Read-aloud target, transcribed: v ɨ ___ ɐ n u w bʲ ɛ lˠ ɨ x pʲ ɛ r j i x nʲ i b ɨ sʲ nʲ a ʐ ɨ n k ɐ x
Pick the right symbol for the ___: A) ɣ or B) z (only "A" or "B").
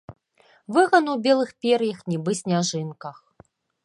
A